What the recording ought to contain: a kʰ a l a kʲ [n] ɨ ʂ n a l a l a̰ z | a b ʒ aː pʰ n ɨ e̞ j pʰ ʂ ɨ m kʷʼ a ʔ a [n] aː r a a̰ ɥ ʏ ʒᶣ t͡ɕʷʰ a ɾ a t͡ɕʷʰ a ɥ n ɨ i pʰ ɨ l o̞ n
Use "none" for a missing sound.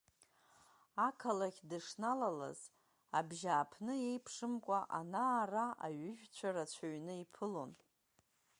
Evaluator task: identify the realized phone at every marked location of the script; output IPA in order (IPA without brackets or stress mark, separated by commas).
d, n